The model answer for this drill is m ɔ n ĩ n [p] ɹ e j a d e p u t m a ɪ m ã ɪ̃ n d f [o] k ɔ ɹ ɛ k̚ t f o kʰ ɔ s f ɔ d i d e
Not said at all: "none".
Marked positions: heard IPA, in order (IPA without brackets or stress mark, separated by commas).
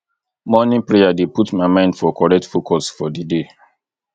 p, ɔ